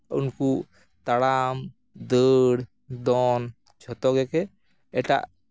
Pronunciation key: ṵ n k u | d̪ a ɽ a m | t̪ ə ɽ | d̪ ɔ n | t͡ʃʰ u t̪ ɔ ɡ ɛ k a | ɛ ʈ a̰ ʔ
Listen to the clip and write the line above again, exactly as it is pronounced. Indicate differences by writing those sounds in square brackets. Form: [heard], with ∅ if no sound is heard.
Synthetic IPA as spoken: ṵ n k u | [t̪] a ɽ a m | [d̪] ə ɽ | d̪ ɔ n | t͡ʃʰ [ɔ] t̪ ɔ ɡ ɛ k [ɛ] | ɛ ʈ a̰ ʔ